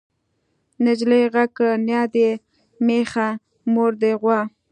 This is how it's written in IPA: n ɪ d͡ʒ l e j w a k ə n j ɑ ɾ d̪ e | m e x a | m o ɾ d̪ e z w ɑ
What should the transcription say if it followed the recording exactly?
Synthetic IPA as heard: n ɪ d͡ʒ l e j ɣ a k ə n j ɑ d̪ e | m e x a | m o ɾ d̪ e ɣ w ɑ